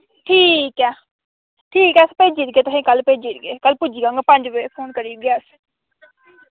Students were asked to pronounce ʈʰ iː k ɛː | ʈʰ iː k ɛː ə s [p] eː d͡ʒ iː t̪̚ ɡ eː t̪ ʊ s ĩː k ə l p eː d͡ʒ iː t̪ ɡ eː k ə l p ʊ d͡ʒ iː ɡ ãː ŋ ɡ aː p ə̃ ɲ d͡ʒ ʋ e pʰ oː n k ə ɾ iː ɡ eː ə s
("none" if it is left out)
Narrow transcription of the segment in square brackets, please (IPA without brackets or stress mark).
p